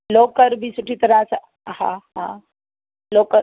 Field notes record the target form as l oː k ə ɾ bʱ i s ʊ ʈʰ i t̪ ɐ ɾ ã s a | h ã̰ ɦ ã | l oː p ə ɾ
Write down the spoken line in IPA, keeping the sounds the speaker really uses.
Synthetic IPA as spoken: l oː k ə ɾ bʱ i s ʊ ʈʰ i t̪ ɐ ɾ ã s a | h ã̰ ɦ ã | l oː k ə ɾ